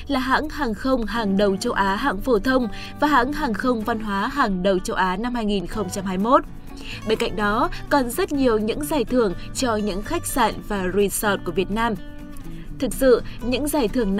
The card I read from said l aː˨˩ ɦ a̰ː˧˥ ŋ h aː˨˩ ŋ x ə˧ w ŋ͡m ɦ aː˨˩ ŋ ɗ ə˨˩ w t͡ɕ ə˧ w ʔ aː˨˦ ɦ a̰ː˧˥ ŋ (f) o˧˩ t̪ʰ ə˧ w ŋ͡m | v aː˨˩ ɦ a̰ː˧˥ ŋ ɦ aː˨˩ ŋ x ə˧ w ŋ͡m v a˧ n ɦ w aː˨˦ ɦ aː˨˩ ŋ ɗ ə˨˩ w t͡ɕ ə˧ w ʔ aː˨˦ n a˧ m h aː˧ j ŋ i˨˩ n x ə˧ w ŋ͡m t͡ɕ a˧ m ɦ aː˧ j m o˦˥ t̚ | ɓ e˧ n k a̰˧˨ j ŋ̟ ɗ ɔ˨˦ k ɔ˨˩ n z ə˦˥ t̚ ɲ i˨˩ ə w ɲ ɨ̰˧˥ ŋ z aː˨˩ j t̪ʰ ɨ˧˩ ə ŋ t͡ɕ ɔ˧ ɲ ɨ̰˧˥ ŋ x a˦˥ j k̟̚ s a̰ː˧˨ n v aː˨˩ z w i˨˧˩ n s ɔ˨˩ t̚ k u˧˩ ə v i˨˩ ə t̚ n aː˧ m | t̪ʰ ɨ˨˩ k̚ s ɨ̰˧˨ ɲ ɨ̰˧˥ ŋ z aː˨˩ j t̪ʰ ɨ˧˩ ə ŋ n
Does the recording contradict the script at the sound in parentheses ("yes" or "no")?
no